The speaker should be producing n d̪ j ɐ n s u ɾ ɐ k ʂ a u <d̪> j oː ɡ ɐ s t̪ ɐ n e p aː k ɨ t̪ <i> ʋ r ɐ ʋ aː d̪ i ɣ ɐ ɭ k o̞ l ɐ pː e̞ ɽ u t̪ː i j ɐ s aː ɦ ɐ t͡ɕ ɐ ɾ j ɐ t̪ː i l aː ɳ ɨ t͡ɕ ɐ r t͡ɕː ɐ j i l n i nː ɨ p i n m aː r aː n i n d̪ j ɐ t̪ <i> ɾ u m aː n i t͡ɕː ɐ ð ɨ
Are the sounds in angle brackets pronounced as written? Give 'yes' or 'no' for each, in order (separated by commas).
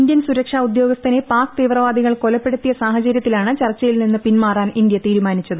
yes, no, no